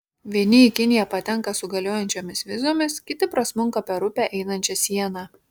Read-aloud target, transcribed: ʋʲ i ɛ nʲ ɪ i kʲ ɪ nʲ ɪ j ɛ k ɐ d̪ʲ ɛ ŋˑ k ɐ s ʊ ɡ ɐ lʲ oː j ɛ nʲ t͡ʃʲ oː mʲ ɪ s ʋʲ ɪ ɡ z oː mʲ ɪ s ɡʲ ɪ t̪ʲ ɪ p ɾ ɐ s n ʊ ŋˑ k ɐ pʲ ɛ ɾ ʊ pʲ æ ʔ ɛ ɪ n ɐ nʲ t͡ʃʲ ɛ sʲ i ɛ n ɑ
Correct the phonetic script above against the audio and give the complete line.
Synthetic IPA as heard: ʋʲ i ɛ nʲ ɪ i kʲ ɪ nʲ ɪ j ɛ p ɐ t̪ʲ ɛ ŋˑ k ɐ s ʊ ɡ ɐ lʲ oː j ɛ nʲ t͡ʃʲ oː mʲ ɪ s ʋʲ ɪ z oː mʲ ɪ s kʲ ɪ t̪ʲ ɪ p ɾ ɐ s m ʊ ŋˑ k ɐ pʲ ɛ ɾ ʊ pʲ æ ʔ ɛ ɪ n ɐ nʲ t͡ʃʲ ɛ sʲ i ɛ n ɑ